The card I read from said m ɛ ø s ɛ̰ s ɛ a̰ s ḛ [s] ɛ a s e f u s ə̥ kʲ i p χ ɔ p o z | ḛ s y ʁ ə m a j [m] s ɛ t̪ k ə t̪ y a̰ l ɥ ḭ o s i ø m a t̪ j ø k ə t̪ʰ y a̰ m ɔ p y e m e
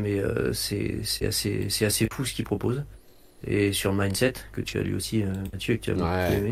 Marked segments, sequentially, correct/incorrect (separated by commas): correct, incorrect